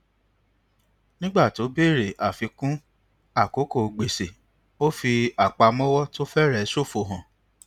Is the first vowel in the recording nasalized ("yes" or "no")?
yes